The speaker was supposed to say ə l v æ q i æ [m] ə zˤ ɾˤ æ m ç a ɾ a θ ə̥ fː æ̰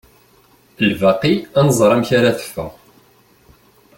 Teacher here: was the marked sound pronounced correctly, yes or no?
no